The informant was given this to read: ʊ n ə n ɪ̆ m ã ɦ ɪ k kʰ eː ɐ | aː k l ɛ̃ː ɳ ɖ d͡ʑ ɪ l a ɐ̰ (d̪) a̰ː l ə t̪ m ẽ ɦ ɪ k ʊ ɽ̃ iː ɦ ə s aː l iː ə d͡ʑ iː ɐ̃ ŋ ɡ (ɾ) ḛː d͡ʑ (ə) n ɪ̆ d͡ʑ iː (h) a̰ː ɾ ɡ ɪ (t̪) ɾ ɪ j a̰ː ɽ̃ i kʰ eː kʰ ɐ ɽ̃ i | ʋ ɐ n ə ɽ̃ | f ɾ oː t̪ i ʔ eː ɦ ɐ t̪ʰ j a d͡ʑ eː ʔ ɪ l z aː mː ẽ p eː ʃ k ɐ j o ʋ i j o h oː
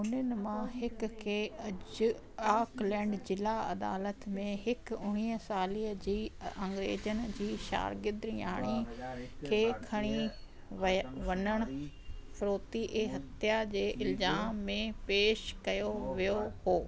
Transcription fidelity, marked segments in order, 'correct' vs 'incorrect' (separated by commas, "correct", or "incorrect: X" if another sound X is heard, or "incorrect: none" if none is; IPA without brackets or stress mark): correct, correct, correct, incorrect: ʃ, incorrect: d̪